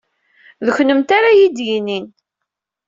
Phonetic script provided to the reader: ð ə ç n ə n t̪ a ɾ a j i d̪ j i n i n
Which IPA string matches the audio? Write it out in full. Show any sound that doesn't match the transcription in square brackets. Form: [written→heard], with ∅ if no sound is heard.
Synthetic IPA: ð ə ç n ə [n→m] t̪ a ɾ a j i d̪ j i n i n